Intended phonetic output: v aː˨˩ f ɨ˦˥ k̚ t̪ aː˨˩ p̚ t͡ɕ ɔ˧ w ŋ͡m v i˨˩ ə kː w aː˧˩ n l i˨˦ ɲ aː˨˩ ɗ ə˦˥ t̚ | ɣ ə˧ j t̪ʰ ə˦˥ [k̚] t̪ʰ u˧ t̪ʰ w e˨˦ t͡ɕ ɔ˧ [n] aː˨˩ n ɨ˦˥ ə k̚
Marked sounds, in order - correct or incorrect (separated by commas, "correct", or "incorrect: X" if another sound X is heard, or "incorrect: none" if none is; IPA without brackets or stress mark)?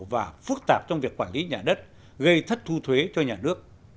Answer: incorrect: t̚, incorrect: ɲ